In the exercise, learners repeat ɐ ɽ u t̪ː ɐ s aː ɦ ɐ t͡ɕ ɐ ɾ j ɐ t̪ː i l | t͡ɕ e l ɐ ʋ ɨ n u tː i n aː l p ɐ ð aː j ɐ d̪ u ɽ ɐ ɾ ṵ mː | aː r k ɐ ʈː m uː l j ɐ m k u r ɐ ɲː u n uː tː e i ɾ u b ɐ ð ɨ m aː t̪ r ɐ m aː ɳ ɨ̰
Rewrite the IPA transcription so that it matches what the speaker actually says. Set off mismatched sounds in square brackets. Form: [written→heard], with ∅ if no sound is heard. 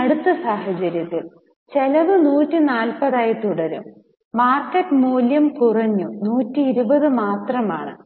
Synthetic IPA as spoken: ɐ ɽ u t̪ː ɐ s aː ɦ ɐ t͡ɕ ɐ ɾ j ɐ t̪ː i l | t͡ɕ e l ɐ ʋ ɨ n [u→uː] tː i n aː l p ɐ ð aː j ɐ [d̪→t̪] u ɽ ɐ ɾ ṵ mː | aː r k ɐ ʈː m uː l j ɐ m k u r ɐ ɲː u n uː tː [e→i] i ɾ u b ɐ ð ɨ m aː t̪ r ɐ m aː ɳ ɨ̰